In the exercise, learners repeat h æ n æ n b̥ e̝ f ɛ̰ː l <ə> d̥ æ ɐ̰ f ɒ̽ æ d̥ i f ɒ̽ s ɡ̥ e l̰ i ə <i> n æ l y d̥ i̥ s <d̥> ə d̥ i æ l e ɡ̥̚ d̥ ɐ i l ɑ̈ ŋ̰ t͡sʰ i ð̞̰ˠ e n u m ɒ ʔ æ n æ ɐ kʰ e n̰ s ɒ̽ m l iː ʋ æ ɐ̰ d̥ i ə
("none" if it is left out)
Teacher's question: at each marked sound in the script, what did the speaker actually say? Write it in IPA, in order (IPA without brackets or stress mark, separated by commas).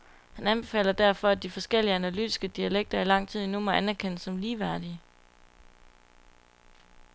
ɐ, æ, ɡ̥